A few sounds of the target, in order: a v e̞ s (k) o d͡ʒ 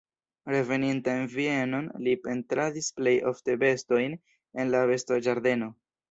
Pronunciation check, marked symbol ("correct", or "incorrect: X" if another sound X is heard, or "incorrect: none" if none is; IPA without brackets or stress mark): incorrect: t